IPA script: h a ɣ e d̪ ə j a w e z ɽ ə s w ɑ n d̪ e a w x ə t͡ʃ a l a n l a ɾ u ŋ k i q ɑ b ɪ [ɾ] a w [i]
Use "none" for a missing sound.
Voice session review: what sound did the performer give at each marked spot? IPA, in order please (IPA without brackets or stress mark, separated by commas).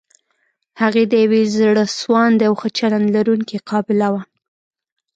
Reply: l, a